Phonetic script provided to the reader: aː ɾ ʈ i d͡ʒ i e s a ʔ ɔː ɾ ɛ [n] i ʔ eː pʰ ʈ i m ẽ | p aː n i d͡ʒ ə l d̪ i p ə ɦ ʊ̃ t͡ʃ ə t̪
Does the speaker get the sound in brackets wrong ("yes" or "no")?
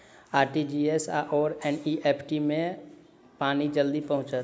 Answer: no